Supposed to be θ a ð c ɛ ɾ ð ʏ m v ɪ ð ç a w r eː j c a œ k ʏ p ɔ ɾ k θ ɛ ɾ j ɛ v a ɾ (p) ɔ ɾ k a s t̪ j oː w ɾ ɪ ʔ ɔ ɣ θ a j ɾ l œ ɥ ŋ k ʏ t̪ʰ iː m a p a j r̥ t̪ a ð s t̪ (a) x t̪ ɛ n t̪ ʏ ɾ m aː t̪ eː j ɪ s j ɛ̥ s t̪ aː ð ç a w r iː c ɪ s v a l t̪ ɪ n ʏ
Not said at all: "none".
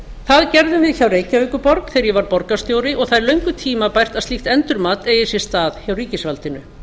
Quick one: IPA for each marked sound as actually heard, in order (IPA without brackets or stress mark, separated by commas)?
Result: p, i